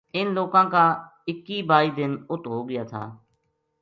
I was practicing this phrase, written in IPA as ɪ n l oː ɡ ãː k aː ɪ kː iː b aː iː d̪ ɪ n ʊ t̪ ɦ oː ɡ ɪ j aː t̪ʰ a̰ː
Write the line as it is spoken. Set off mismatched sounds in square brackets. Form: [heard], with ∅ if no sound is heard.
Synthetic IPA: ɪ n l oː [k] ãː k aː ɪ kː iː b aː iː d̪ ɪ n ʊ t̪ ɦ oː ɡ ɪ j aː t̪ʰ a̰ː

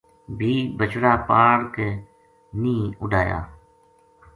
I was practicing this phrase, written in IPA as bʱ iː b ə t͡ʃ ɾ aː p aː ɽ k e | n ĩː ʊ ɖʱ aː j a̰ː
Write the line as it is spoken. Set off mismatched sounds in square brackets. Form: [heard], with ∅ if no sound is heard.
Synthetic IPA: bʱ iː b ə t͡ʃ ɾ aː p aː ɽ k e | n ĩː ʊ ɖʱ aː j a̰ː

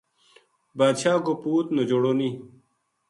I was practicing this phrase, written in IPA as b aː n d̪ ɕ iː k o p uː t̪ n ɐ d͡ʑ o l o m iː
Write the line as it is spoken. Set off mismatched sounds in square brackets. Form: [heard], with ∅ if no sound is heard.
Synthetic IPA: b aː [∅] d̪ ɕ [aː] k o p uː t̪ n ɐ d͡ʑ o [ɽ] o [n] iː

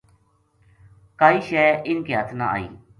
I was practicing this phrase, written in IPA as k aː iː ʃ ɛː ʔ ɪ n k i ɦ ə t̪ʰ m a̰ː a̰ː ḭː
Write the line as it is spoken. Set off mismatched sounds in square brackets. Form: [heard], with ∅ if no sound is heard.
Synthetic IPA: k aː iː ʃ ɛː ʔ ɪ n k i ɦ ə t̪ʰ [n] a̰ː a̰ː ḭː

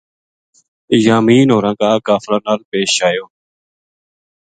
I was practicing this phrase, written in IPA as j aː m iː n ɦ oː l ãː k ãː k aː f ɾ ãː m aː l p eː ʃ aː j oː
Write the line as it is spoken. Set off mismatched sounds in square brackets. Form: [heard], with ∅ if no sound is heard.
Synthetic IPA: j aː m iː n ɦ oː [ɾ] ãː k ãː k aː f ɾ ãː [n] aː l p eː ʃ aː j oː

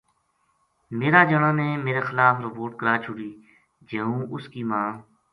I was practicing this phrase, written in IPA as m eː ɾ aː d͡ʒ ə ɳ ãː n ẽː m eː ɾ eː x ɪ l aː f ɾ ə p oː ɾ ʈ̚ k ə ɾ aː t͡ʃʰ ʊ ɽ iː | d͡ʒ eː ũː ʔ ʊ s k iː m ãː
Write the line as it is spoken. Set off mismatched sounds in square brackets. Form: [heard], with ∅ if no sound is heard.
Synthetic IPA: m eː ɾ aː d͡ʒ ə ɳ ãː n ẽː m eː ɾ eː x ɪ l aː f ɾ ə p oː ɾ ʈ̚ k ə ɾ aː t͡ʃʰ ʊ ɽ iː | d͡ʒ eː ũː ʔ ʊ s k iː m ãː

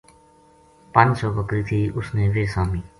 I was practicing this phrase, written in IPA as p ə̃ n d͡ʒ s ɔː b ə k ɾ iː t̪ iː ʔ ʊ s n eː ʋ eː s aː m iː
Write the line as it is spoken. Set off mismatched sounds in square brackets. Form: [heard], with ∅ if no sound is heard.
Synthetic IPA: p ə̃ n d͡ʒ s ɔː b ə k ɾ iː [t̪ʰ] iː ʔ ʊ s n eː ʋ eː s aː m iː

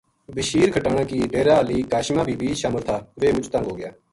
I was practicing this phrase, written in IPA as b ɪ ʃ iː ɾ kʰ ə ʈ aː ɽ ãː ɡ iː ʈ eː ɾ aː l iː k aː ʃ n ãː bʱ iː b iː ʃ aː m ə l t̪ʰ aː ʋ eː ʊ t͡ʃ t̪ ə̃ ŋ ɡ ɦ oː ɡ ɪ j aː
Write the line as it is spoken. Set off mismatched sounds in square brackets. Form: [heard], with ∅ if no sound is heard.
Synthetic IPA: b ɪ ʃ iː ɾ kʰ ə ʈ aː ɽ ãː [k] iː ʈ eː ɾ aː l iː k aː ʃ [m] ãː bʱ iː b iː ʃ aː m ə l t̪ʰ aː ʋ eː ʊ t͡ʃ t̪ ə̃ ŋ ɡ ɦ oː ɡ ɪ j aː

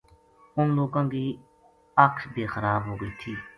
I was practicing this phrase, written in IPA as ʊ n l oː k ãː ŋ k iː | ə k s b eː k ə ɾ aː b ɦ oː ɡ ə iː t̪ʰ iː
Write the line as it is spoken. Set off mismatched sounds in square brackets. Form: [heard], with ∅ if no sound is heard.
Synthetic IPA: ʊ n l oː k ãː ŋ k iː | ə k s b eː [x] ə ɾ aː b ɦ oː ɡ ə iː t̪ʰ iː

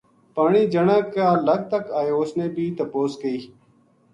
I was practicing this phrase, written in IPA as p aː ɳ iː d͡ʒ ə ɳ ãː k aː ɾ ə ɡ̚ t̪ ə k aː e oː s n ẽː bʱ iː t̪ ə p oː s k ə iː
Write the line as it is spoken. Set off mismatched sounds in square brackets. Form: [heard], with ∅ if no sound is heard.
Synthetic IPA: p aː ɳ iː d͡ʒ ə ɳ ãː k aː [l] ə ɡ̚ t̪ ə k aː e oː s n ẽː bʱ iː t̪ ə p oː s k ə iː

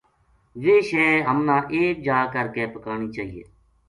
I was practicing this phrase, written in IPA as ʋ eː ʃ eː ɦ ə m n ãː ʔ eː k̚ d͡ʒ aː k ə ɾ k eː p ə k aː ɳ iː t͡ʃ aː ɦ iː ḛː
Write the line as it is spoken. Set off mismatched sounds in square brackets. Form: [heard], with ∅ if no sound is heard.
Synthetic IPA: ʋ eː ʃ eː ɦ ə m n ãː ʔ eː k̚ d͡ʒ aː k ə ɾ k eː p ə k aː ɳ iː t͡ʃ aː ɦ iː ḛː

